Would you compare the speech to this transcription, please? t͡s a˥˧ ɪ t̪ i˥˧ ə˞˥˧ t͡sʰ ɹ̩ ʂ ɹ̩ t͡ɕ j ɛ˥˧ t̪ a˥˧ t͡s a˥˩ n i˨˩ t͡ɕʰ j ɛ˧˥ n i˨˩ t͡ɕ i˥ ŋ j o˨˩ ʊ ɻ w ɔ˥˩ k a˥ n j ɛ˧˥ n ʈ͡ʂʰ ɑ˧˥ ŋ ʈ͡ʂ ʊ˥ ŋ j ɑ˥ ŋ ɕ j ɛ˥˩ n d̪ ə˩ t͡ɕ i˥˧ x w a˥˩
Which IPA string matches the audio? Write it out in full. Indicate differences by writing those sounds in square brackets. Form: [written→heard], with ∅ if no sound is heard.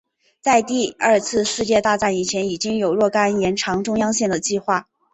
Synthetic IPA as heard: t͡s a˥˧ ɪ t̪ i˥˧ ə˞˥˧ t͡sʰ ɹ̩ ʂ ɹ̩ t͡ɕ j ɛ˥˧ t̪ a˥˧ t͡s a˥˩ n i˨˩ t͡ɕʰ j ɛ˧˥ n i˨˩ t͡ɕ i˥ ŋ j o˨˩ ʊ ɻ w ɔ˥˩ k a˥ n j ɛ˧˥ n ʈ͡ʂʰ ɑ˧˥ ŋ ʈ͡ʂ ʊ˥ ŋ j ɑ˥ ŋ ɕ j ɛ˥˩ n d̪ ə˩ t͡ɕ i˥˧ x w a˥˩